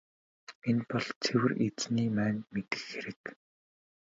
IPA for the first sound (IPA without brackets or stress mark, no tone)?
e